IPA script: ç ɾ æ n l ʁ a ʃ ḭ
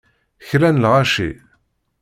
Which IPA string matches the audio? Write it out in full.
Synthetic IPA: ç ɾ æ n l ʁ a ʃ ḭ

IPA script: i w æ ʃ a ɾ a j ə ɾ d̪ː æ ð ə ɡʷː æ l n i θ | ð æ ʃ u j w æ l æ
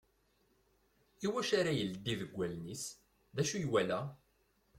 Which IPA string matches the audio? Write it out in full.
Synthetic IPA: i w æ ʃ a ɾ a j ə l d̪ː i ð ə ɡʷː æ l n i s | ð æ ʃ u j w æ l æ

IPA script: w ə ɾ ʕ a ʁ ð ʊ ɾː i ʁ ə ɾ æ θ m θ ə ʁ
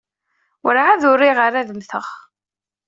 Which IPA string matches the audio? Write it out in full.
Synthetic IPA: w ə ɾ ʕ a ð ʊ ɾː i ʁ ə ɾ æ ð m θ ə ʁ

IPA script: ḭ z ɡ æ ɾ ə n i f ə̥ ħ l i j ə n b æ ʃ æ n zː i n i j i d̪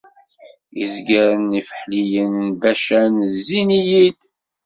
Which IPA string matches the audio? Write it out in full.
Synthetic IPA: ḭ z ɡ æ ɾ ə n i f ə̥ ħ l i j ə n b æ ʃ æ n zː i n i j i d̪

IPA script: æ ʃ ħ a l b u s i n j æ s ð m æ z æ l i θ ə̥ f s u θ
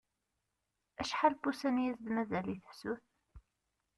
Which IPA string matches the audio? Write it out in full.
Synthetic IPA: æ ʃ ħ a l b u s æ n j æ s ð m æ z æ l i θ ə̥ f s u θ

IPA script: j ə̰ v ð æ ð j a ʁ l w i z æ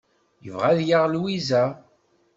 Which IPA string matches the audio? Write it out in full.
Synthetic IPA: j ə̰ v ʁ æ ð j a ʁ l w i z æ

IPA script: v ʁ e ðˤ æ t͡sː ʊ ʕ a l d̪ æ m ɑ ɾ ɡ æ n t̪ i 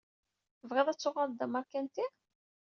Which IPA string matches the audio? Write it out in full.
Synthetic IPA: v ʁ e ðˤ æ t͡sː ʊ ʁ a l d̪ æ m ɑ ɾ k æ n t̪ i

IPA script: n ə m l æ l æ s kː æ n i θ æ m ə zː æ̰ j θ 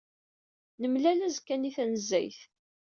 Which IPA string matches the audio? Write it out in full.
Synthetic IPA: n ə m l æ l æ z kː æ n i θ æ n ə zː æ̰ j θ

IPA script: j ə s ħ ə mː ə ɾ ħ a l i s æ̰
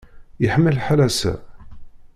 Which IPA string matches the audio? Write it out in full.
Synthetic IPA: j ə ħ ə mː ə l ħ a l æ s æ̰

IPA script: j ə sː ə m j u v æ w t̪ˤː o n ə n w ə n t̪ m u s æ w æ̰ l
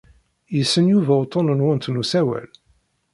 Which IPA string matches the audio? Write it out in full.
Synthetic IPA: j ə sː ə n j u v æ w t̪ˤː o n ə n w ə n t̪ n u s æ w æ̰ l

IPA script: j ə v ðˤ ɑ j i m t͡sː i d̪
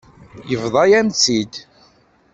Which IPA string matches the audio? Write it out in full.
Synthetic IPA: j ə v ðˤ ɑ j æ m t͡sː i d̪

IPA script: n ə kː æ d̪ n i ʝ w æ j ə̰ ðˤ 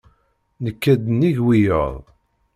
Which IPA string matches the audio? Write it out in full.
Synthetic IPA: n ə kː æ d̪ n i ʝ w i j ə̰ ðˤ

